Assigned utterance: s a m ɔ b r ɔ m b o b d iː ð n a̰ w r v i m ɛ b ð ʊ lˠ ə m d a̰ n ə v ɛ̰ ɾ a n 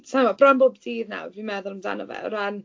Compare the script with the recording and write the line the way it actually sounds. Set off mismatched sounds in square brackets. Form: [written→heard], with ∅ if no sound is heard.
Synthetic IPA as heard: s a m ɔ b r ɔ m b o b d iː ð n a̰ w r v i m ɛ [b→∅] ð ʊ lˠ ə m d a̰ n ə v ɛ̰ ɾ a n